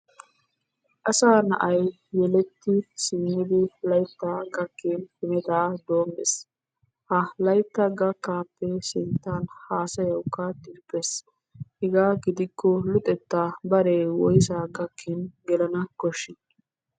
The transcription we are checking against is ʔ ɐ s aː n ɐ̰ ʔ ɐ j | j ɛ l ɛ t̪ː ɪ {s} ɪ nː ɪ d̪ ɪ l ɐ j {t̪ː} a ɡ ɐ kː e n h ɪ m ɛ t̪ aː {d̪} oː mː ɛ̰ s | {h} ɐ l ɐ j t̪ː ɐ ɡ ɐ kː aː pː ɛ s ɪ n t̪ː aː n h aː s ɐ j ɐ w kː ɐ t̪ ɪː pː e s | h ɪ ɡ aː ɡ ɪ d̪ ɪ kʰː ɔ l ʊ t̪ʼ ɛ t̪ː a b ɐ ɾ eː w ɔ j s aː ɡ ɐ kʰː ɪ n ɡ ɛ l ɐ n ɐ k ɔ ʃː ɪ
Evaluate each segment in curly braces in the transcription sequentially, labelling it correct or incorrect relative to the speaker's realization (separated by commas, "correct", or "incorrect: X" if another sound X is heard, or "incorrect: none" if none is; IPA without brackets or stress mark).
correct, correct, correct, correct